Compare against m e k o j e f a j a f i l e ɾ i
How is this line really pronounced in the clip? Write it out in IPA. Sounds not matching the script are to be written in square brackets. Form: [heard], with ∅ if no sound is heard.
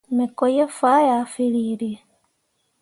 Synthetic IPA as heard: m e k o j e f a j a f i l [i] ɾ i